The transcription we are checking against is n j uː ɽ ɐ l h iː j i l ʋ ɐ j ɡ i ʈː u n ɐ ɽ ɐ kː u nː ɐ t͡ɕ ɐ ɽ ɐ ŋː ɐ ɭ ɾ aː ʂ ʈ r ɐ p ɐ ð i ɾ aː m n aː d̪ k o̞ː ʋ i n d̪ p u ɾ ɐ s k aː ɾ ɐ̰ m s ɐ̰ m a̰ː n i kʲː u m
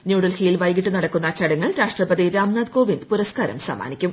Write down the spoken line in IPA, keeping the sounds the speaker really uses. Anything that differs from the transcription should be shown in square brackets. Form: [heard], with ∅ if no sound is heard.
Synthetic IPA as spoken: n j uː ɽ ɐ l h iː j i l ʋ ɐ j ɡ i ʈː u n ɐ ɽ ɐ kː u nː ɐ t͡ɕ ɐ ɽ ɐ ŋː ɐ ɭ ɾ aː ʂ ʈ r ɐ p ɐ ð i ɾ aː m n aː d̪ k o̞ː ʋ i n d̪ p u ɾ ɐ s k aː ɾ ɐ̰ m s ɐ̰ m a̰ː n i kʲː u m